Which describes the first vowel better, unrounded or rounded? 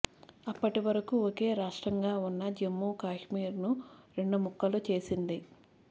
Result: unrounded